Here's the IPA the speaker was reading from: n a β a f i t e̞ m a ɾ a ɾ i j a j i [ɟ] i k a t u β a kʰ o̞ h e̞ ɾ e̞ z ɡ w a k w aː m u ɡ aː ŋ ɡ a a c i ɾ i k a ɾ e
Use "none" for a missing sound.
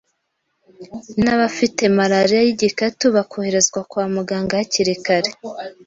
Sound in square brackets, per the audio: ɟ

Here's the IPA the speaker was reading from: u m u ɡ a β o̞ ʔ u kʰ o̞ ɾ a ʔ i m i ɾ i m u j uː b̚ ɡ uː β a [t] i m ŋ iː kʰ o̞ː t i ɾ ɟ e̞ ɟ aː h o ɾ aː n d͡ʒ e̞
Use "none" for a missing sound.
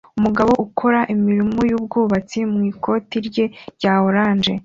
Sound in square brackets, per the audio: t͡s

